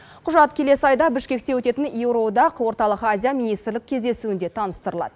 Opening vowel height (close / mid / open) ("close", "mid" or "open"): close